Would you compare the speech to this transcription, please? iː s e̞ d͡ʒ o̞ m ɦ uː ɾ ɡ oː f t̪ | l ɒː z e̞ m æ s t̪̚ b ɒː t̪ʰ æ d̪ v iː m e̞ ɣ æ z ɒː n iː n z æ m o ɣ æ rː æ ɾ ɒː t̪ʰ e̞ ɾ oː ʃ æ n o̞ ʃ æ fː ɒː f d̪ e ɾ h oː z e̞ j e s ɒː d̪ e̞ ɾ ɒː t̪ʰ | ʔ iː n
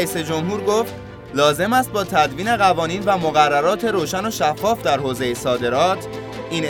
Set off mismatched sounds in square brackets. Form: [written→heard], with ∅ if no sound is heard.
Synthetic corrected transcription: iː s e̞ d͡ʒ o̞ m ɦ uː ɾ ɡ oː f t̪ | l ɒː z e̞ m æ s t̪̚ b ɒː t̪ʰ æ d̪ v iː [m→n] e̞ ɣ æ [z→v] ɒː n iː n [z→v] æ m o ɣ æ rː æ ɾ ɒː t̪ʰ e̞ ɾ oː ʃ æ n o̞ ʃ æ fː ɒː f d̪ [e→æ] ɾ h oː z e̞ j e s ɒː d̪ e̞ ɾ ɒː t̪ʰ | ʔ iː n